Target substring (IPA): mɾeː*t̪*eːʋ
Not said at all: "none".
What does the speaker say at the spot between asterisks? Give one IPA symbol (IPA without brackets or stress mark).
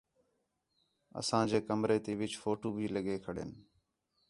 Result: t̪